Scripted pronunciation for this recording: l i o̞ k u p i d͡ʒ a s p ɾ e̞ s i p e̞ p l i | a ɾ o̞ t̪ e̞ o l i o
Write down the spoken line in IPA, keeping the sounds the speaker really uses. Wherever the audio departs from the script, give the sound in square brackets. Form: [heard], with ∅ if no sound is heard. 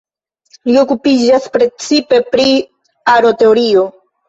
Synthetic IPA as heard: l i o̞ k u p i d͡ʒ a s p ɾ e̞ [t͡s] i p e̞ p [ɾ] i | a ɾ o̞ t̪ e̞ o [ɾ] i o